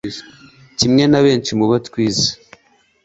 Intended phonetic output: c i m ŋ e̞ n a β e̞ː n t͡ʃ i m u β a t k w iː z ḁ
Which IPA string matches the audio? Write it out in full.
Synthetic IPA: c i m ŋ e̞ n a β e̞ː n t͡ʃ i m u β a t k w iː z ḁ